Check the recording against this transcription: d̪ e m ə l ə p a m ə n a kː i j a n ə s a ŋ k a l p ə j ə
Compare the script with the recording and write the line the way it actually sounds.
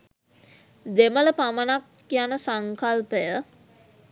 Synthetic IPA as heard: d̪ e m ə l ə p a m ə n a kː i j a n ə s a ŋ k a l p ə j ə